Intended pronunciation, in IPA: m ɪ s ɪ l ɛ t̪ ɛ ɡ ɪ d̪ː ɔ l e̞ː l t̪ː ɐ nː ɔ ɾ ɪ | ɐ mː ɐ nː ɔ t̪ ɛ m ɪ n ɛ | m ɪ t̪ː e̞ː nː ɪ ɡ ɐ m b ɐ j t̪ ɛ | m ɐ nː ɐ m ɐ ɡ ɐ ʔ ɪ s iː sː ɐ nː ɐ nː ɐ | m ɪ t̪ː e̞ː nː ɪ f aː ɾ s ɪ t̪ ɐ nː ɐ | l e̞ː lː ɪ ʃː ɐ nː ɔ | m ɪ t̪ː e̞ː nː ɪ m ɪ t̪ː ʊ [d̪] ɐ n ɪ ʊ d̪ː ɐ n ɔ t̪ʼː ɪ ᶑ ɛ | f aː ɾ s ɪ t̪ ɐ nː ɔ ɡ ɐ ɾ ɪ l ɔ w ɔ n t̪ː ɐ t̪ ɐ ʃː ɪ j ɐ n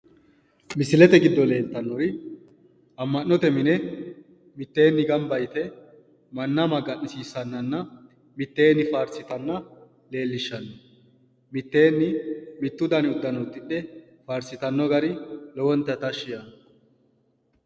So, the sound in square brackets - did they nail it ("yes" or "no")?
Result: yes